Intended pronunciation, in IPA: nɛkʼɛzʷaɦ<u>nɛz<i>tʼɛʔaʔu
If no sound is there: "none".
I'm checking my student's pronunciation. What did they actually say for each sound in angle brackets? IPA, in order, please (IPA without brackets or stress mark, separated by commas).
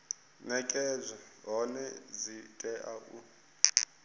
ɔ, i